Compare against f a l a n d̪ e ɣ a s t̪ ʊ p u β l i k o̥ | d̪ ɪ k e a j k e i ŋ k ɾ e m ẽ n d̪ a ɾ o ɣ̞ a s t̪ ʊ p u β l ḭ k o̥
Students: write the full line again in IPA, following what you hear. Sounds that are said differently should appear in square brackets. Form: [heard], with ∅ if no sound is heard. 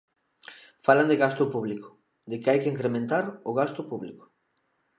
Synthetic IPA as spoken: f a l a n d̪ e ɣ a s t̪ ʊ p u β l i k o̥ | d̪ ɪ k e a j k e i ŋ k ɾ e m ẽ n [t̪] a ɾ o ɣ̞ a s t̪ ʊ p u β l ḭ k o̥

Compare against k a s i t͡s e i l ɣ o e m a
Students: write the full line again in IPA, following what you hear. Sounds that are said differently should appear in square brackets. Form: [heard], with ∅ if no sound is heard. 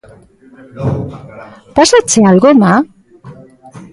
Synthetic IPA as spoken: [p] a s [a] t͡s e [a] l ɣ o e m a

